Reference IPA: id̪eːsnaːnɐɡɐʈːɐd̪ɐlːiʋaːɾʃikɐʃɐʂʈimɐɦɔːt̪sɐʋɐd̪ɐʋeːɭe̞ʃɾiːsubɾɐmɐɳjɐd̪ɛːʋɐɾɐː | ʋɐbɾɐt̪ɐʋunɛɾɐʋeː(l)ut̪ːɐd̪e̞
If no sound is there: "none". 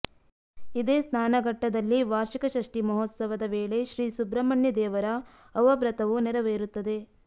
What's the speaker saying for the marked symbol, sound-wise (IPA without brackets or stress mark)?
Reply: ɾ